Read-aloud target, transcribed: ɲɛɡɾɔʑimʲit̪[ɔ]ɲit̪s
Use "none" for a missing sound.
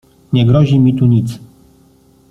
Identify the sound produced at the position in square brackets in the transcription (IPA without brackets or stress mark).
u